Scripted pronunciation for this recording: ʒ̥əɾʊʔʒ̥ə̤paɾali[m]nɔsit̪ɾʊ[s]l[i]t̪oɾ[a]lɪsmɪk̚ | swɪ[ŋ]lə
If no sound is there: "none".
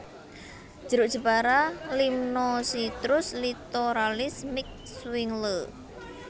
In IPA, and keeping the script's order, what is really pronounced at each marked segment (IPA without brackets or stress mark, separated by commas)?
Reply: m, s, i, a, ŋ